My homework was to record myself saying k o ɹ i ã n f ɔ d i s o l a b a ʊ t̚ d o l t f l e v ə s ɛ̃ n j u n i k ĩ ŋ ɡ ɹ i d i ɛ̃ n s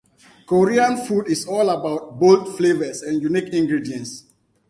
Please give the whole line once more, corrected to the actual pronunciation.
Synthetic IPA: k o ɹ i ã n f u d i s ɔ l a b a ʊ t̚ b o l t f l e v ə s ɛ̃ n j u n i k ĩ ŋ ɡ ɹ i d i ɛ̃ n s